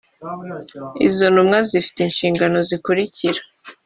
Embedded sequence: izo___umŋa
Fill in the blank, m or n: n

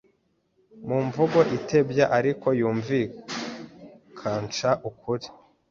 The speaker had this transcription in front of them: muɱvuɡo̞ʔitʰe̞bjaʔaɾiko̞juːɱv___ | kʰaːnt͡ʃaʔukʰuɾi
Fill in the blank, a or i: i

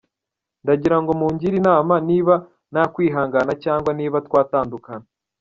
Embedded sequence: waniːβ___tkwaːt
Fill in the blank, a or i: a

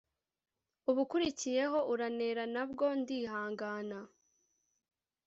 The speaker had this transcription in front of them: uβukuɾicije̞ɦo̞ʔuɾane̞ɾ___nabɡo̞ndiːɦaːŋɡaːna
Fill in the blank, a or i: a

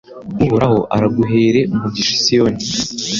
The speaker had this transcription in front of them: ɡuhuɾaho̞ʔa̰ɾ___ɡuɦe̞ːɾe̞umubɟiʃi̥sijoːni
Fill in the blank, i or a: a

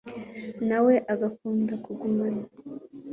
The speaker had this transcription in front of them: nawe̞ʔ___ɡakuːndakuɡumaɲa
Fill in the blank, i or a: a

